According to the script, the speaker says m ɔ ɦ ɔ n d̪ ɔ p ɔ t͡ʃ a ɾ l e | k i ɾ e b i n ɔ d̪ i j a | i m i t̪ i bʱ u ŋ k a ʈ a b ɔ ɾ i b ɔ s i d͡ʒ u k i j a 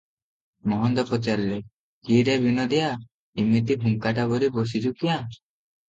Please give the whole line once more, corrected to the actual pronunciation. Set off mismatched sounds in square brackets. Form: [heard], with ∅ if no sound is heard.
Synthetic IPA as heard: m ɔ ɦ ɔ n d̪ ɔ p ɔ t͡ʃ a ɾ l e | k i ɾ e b i n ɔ d̪ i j a | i m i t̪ i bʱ u ŋ k a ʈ a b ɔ ɾ i b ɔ s i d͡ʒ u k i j a

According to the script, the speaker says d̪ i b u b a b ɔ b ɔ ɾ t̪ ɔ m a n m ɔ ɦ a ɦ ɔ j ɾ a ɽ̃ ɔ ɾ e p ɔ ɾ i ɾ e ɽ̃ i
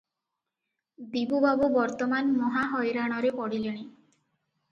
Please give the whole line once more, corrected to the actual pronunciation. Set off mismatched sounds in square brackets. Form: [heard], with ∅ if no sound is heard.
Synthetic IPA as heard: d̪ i b u b a b [u] b ɔ ɾ t̪ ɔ m a n m ɔ ɦ a ɦ ɔ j ɾ a ɽ̃ ɔ ɾ e p ɔ [ɽ] i [l] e ɽ̃ i

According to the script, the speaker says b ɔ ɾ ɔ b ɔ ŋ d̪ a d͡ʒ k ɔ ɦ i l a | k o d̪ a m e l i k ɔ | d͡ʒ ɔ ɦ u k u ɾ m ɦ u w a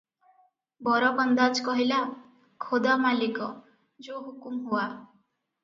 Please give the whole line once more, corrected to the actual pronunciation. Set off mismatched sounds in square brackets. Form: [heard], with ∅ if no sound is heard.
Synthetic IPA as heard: b ɔ ɾ ɔ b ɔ [n] d̪ a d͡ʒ k ɔ ɦ i l a | [kʰ] o d̪ a m [a] l i k ɔ | d͡ʒ [o] ɦ u k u [∅] m ɦ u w a

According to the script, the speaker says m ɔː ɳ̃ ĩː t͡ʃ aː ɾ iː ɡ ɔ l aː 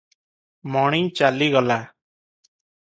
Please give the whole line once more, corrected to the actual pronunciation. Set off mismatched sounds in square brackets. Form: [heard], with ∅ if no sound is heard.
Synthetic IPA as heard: m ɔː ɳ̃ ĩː t͡ʃ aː [l] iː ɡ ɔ l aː

